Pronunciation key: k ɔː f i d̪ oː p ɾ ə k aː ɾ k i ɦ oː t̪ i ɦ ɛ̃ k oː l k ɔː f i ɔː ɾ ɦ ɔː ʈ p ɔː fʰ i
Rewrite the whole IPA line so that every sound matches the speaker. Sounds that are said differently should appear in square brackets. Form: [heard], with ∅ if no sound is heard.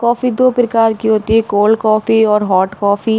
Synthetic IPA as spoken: k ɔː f i d̪ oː p ɾ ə k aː ɾ k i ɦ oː t̪ i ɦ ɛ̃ k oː l k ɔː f i ɔː ɾ ɦ ɔː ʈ [k] ɔː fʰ i